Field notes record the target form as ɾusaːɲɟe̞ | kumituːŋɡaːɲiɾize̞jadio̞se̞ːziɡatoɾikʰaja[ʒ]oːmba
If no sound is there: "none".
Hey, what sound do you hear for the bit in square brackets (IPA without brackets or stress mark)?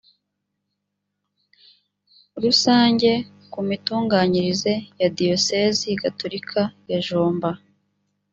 ʒ